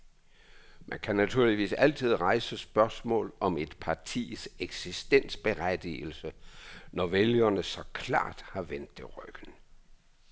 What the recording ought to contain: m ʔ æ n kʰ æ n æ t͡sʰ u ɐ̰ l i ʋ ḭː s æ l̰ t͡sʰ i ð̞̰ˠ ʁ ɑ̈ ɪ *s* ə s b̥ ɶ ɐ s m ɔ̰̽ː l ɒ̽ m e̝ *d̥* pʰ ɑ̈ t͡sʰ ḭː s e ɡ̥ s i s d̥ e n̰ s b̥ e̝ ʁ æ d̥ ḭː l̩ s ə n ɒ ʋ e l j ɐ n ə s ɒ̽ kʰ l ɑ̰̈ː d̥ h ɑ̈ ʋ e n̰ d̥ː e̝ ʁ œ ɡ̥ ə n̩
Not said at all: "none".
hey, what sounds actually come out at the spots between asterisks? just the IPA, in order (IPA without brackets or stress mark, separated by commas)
s, d̥